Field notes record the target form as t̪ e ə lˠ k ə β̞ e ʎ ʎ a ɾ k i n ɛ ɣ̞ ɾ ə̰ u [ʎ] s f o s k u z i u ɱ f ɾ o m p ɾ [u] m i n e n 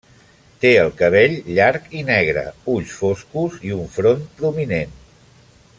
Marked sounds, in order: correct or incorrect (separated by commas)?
correct, correct